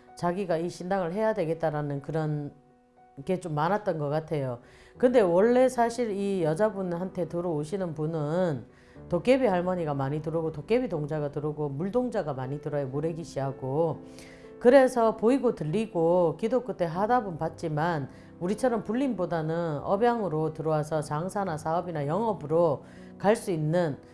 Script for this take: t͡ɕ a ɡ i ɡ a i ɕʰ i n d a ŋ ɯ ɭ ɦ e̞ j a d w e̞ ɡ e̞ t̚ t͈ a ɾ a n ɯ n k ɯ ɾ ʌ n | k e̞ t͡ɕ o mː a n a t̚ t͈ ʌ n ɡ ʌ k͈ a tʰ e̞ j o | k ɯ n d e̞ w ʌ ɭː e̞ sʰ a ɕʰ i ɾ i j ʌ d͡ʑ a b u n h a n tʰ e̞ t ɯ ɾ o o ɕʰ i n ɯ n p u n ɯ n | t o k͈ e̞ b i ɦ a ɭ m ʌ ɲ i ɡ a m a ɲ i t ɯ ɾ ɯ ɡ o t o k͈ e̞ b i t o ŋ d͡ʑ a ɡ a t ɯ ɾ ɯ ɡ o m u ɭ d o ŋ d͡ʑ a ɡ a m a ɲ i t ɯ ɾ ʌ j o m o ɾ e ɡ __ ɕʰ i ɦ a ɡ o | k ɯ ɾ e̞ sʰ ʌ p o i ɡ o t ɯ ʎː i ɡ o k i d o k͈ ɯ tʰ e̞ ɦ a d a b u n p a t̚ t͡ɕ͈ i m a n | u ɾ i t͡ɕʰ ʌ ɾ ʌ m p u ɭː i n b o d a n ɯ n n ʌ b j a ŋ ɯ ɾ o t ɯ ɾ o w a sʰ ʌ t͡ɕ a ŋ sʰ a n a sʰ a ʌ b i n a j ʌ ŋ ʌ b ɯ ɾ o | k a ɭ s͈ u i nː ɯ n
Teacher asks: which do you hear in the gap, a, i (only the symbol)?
i